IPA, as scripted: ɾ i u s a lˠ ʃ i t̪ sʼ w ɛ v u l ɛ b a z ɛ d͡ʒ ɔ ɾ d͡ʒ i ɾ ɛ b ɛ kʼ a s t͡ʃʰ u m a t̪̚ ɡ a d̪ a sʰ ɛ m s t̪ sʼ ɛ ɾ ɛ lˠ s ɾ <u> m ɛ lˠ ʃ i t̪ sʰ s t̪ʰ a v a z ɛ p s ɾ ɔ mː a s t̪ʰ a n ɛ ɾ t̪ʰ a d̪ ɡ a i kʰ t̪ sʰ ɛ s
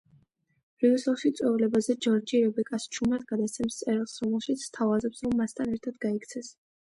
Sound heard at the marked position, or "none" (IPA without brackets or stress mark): ɔ